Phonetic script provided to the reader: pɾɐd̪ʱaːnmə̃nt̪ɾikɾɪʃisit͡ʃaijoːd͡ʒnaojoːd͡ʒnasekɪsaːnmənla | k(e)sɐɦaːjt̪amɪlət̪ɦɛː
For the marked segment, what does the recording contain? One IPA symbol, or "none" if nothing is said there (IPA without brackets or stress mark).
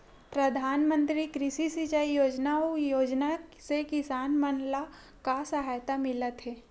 a